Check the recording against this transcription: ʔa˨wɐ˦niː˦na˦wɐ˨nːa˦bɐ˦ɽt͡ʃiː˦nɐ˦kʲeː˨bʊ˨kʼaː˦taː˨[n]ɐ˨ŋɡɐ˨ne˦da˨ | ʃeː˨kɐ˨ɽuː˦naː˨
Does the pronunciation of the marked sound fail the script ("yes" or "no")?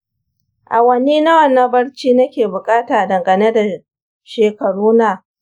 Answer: yes